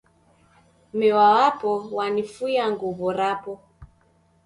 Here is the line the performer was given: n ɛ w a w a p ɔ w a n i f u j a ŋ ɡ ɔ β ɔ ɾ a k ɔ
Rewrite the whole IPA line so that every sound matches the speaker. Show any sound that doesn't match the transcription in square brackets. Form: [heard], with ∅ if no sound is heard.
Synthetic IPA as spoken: [m] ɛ w a w a p ɔ w a n i f u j a ŋ ɡ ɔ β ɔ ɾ a [p] ɔ